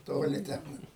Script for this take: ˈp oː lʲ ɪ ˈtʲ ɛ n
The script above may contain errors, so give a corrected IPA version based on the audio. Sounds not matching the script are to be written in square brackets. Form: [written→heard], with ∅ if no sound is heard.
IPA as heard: [ˈp→ˈt] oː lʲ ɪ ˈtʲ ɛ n